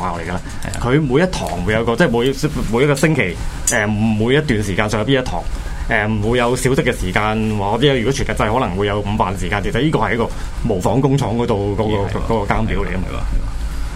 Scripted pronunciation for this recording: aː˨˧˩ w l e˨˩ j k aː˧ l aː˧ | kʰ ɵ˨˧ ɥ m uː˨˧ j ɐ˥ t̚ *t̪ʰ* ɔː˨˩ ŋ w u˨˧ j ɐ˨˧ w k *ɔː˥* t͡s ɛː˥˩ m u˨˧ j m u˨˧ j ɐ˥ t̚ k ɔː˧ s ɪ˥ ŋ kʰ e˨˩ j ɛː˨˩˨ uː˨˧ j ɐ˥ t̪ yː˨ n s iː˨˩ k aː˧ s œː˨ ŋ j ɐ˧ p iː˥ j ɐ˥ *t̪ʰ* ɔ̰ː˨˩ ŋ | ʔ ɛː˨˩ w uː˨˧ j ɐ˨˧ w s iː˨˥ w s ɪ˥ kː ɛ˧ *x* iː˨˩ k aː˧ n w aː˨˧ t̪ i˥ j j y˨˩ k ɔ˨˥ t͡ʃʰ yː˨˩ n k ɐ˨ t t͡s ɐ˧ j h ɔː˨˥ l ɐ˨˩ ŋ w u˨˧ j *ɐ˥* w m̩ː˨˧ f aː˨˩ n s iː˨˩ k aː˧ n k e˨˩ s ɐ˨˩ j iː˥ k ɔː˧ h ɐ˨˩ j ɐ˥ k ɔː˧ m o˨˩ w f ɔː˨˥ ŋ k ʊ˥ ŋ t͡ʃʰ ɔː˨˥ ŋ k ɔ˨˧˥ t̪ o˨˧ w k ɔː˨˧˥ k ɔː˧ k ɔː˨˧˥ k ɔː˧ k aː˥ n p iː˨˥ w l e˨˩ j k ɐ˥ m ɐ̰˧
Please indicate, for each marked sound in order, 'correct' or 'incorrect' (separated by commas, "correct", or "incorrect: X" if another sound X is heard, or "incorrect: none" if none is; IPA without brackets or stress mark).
correct, incorrect: ɔː˧, correct, incorrect: s, incorrect: ɐ˨˧